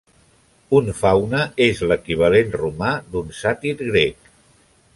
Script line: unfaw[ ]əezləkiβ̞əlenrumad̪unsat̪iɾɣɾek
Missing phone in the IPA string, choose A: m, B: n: B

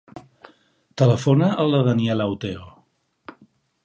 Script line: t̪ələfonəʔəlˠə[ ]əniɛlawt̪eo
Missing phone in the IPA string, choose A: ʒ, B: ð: B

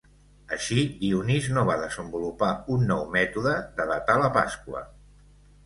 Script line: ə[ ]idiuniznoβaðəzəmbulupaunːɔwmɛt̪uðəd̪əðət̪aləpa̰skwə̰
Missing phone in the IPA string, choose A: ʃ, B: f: A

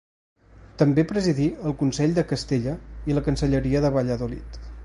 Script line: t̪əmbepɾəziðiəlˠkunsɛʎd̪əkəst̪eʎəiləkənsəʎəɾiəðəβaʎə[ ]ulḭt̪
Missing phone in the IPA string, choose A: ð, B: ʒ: A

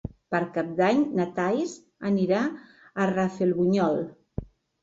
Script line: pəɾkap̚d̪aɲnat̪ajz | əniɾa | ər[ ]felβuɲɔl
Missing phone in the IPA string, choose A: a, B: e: A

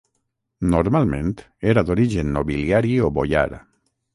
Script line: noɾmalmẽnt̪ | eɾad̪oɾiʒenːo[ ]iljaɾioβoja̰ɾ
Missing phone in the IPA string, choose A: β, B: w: A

